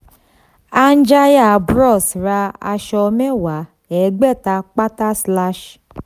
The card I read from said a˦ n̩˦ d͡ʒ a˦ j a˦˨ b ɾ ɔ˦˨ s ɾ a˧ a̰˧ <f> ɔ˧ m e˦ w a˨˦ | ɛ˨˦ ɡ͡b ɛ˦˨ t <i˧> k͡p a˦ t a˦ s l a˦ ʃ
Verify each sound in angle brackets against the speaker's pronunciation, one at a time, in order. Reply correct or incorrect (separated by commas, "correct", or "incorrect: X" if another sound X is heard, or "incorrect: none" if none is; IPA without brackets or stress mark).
incorrect: ʃ, incorrect: a˧